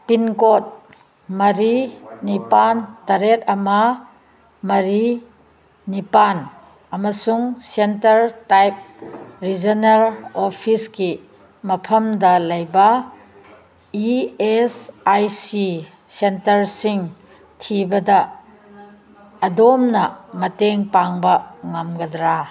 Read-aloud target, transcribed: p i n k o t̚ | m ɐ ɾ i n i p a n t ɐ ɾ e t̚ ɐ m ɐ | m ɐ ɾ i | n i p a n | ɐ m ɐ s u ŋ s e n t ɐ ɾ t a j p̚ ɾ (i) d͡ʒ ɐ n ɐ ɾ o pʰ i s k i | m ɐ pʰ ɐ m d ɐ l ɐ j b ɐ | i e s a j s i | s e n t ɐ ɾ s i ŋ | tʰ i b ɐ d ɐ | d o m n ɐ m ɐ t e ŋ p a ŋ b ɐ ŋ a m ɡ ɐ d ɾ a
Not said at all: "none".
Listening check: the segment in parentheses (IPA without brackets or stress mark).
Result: i